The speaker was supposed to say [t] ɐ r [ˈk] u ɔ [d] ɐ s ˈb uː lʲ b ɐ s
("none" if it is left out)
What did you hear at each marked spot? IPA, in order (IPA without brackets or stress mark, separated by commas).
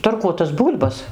t, k, t